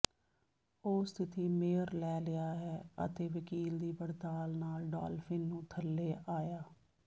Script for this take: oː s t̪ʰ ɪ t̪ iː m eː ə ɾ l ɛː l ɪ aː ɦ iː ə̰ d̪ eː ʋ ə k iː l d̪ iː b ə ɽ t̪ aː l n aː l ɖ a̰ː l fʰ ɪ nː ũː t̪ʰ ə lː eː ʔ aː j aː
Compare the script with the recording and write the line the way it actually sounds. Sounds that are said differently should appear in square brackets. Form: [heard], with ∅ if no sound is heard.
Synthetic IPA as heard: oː s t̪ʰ ɪ t̪ iː m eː ə ɾ l ɛː l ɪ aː ɦ [ɛː] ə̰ [t̪] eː ʋ ə k iː l d̪ iː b ə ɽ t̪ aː l n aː l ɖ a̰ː l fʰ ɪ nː ũː t̪ʰ ə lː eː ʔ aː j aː